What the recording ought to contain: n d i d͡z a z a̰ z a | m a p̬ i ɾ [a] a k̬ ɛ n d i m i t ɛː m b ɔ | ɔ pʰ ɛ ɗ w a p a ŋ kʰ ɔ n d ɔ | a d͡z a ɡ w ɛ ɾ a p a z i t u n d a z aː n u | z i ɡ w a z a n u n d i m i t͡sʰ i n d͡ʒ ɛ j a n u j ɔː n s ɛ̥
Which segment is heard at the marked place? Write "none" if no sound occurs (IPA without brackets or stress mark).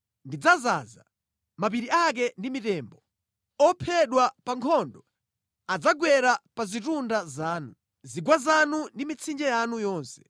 i